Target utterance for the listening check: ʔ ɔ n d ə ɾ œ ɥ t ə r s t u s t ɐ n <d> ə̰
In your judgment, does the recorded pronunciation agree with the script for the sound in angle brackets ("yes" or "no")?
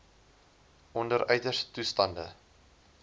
yes